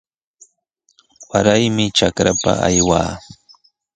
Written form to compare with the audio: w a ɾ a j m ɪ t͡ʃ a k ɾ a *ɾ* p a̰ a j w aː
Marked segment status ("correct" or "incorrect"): incorrect